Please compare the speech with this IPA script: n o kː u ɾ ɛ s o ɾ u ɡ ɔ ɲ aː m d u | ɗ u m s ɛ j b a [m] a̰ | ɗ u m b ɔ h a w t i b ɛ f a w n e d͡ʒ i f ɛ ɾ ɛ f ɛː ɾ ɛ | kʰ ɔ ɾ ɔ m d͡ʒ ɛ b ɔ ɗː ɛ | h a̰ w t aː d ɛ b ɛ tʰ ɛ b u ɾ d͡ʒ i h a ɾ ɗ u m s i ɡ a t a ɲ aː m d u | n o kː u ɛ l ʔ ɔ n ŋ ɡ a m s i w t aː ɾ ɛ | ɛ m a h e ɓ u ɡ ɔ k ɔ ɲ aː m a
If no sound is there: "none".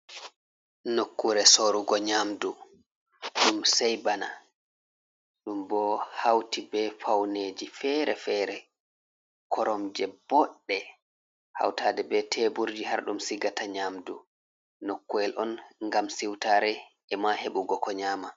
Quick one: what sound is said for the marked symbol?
n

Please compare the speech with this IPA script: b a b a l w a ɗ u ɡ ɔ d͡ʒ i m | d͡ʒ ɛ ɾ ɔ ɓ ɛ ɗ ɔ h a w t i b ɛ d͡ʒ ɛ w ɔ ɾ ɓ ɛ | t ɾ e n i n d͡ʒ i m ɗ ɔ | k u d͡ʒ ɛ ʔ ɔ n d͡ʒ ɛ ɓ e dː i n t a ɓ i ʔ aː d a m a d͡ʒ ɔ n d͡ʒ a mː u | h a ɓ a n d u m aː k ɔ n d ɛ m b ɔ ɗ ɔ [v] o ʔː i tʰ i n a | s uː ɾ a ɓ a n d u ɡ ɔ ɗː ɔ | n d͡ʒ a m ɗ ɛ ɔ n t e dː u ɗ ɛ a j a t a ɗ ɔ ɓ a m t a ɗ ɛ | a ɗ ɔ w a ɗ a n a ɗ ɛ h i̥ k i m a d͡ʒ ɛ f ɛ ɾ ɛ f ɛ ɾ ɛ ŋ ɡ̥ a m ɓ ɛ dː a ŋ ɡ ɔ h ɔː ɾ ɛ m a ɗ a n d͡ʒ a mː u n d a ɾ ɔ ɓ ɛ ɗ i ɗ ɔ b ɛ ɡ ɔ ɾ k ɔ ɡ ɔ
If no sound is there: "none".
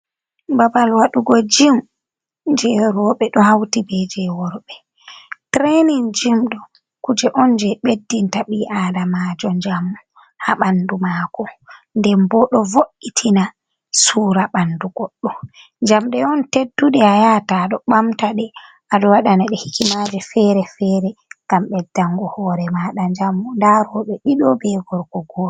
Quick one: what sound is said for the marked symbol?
v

